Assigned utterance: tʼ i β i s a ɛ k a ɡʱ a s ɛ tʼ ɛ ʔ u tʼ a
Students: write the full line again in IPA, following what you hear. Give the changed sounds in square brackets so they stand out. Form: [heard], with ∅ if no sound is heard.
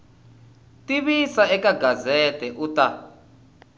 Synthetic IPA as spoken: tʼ i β i s a ɛ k a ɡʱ a [z] ɛ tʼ ɛ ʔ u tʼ a

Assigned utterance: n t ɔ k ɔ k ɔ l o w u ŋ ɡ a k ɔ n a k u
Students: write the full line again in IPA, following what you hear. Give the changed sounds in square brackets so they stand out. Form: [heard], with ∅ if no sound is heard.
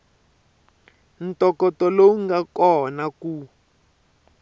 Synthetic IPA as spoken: n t ɔ k ɔ [t] ɔ l o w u ŋ ɡ a k ɔ n a k u

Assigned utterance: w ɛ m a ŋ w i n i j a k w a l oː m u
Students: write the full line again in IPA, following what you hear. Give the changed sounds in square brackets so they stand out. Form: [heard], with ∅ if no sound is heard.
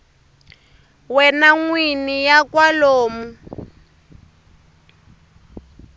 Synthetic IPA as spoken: w ɛ [n] a ŋ w i n i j a k w a l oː m u

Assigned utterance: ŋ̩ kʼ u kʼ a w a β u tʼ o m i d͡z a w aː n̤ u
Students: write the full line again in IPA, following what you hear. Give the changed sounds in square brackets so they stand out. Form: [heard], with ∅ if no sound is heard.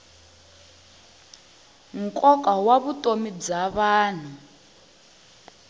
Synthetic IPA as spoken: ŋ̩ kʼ [ɔ] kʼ a w a β u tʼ o m i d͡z a [β] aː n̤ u

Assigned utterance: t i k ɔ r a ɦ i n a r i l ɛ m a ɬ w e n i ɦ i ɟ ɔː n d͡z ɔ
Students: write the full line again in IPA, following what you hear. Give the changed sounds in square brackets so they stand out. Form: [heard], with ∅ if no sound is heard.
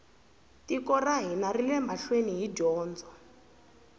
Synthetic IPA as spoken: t i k ɔ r a ɦ i n a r i l ɛ m a ɬ w e n i ɦ i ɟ ɔː n d͡z ɔ

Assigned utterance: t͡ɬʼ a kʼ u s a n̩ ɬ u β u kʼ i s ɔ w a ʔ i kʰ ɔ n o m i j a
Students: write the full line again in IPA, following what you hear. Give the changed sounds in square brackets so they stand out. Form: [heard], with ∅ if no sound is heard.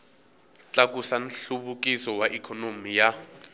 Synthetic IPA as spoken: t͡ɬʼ a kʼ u s a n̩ ɬ u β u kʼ i s ɔ w a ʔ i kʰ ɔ n o m i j a

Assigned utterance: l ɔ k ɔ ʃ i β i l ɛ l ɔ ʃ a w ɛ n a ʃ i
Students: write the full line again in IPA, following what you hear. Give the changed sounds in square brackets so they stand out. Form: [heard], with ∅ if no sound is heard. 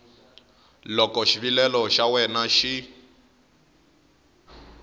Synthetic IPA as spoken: l ɔ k ɔ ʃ i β i l ɛ l ɔ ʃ a w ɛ n a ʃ i

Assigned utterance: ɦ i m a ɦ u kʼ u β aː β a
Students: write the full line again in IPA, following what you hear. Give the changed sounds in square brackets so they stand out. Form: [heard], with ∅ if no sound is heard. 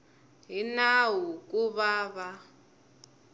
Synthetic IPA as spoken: ɦ i [n] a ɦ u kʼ u β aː β a

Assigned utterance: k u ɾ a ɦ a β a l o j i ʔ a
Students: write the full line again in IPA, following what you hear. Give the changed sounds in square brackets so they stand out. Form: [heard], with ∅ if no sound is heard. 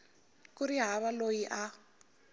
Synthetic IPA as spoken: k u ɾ [i] ɦ a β a l o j i ʔ a

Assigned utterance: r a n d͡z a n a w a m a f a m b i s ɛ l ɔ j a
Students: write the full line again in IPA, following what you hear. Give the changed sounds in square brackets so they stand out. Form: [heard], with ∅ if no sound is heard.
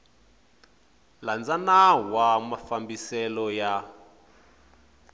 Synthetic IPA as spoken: [l] a n d͡z a n a w a m a f a m b i s ɛ l ɔ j a

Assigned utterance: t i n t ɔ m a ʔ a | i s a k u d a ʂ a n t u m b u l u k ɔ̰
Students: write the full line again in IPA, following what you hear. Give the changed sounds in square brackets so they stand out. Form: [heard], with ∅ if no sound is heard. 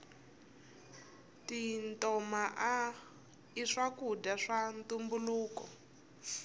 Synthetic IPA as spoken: t i n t ɔ m a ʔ a | i [ʂ] a k u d a ʂ a n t u m b u l [uː] k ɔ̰

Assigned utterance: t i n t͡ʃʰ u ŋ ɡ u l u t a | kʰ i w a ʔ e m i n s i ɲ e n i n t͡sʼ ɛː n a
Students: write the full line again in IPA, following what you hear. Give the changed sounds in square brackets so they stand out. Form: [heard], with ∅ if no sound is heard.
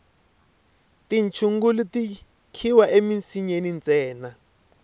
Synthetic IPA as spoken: t i n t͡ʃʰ u ŋ ɡ u l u t [i] | kʰ i w a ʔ e m i n s i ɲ e n i n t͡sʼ ɛː n a

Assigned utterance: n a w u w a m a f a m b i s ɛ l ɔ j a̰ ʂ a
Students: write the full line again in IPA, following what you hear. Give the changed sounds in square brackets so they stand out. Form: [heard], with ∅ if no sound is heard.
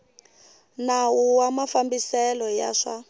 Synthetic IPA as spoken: n a w u w a m a f a m b i s ɛ l ɔ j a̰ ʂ a

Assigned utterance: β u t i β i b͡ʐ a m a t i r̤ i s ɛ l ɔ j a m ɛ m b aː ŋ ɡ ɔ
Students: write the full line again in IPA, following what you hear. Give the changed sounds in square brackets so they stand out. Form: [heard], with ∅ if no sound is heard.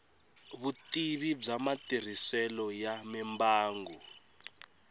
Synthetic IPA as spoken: β u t i β i b͡ʐ a m a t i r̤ i s ɛ l ɔ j a m ɛ m b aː ŋ ɡ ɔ

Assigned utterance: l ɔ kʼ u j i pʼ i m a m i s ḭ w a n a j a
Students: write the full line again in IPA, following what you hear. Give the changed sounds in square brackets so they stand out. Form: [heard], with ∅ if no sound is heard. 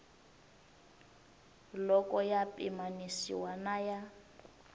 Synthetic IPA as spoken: l ɔ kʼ [ɔ] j [a] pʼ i m a [n] i s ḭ w a n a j a

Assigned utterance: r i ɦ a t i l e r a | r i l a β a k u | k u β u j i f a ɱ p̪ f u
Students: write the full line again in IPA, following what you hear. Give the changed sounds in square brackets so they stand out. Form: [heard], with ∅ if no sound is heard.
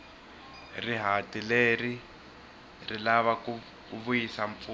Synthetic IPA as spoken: r i ɦ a t i l e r [i] | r i l a β a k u | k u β u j i [s] a ɱ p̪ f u

